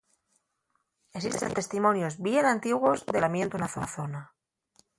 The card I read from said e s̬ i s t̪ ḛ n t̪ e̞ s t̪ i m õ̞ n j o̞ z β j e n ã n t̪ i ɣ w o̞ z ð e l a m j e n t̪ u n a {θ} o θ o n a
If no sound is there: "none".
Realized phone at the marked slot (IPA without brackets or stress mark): θ